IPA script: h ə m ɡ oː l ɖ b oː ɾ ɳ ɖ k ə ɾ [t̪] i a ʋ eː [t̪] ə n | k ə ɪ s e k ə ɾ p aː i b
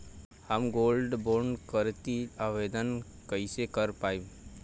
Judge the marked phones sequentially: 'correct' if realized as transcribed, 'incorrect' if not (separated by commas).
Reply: correct, incorrect